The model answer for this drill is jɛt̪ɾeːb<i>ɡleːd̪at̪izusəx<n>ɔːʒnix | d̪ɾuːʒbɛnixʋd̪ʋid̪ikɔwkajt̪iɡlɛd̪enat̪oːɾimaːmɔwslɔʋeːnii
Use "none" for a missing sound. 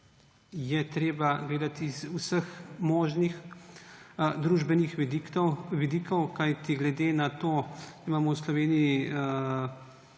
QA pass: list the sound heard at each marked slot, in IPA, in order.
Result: a, m

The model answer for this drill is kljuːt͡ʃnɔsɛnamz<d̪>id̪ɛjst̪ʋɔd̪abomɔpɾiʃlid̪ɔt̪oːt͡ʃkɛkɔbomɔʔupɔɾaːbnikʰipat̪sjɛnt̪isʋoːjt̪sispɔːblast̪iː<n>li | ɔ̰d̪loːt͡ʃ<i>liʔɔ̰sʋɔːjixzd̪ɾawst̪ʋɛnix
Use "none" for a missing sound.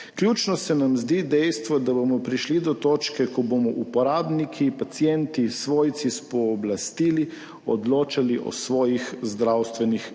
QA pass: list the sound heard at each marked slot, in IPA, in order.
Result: d̪, none, a

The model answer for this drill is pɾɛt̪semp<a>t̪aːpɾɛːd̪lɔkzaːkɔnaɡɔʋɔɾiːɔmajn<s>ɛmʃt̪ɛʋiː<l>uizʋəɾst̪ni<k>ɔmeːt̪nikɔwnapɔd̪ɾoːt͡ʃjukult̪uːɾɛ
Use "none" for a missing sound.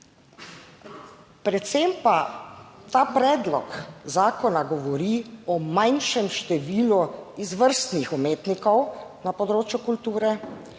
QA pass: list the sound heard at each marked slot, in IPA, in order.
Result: a, ʃ, l, x

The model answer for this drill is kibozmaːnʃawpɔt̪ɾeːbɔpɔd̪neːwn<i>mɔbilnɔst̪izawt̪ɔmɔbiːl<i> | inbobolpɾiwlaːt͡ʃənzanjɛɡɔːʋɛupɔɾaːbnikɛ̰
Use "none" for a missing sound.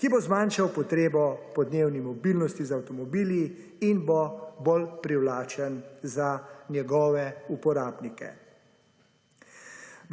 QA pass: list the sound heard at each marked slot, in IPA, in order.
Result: i, i

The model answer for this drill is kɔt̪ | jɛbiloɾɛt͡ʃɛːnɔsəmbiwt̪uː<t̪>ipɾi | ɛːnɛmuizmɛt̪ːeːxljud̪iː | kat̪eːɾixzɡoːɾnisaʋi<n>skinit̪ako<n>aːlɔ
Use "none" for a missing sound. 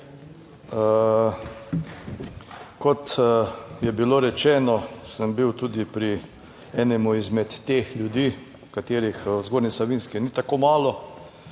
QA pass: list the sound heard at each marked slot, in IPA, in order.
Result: d̪, n, m

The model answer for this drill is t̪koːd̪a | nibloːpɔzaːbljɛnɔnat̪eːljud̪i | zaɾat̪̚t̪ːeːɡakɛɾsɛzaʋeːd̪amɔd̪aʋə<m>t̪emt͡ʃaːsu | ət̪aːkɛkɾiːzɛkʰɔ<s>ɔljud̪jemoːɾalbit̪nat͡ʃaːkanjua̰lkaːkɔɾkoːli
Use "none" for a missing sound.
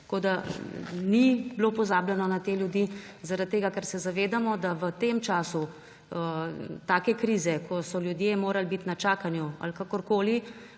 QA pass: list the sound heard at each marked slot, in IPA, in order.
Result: none, s

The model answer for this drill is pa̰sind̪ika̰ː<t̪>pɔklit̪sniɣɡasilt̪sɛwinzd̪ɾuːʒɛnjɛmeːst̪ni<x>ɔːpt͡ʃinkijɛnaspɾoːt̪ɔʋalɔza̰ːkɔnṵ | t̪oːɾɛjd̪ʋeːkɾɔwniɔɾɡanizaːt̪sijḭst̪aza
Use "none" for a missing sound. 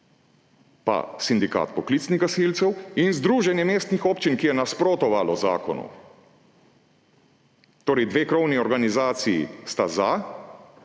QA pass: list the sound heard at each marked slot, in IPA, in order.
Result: t̪, x

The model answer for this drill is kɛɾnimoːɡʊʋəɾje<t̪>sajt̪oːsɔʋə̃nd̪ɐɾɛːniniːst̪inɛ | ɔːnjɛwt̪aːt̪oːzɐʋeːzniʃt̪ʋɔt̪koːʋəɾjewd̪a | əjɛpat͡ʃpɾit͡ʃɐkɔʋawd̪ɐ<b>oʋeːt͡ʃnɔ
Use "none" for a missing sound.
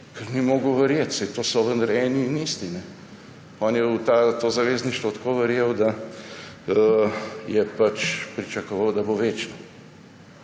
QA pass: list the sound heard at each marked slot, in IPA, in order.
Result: t̪, b

